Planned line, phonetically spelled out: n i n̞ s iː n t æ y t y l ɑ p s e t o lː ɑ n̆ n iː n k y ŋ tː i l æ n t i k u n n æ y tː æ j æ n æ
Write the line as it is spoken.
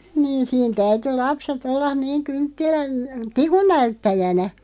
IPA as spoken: n iː n̞ s iː n t æ y t y l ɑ p s e t o lː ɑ n̆ n iː ŋ k y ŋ tː i l æ n t i k u n n æ y tː æ j æ n æ

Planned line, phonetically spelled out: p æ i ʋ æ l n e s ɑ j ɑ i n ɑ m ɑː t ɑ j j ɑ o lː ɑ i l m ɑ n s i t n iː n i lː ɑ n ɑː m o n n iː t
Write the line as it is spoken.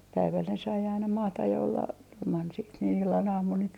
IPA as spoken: p æ i ʋ æ l n e s ɑ i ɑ i n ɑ m ɑː t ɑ j j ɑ o lː ɑ i l m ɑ n s iː t n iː n i lː ɑ n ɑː m u n n iː t

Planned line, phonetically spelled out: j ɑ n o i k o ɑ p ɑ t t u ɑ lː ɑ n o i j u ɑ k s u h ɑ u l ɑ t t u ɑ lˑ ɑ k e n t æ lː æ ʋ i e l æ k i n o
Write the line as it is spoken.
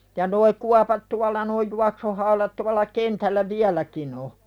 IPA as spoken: j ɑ n o i k u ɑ p ɑ t t u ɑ lː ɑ n o i j u ɑ k s u h ɑ u l ɑ t t u ɑ lˑ ɑ k e n t æ lː æ ʋ i æ l æ k i n o

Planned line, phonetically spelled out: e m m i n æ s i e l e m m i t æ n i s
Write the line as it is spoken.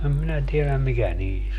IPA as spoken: e m m i n æ t i e l æ m m i k æ n iː s

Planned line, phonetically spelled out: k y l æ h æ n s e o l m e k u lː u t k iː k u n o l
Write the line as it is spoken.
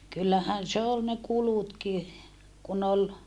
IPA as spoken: k y lː æ h æ n s e o l n e k u l u t k i k u n o l

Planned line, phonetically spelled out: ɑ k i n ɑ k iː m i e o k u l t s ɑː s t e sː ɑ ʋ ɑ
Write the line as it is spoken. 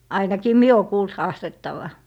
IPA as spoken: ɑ i n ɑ k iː m i e o k uː l t h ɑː s t e tː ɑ ʋ ɑ

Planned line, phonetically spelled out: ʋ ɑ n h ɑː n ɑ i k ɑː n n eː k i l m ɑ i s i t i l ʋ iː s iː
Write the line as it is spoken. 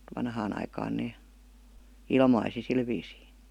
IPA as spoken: ʋ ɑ n h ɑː n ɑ i k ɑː n n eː i l m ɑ i s i s i l ʋ iː s iː

